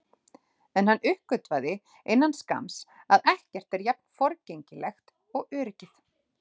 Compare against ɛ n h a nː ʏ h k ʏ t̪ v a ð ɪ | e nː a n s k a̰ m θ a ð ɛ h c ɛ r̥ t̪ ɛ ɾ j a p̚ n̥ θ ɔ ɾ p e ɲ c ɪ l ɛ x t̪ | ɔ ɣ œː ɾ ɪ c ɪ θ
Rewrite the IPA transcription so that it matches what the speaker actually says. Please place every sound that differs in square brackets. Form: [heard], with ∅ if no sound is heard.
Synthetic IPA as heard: ɛ n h a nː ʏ h k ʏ t̪ v a ð ɪ | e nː a n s k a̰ m [s] a ð ɛ h c ɛ r̥ t̪ ɛ ɾ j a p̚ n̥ [f] ɔ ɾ [c] e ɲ c ɪ l ɛ x t̪ | ɔ ɣ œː ɾ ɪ c ɪ θ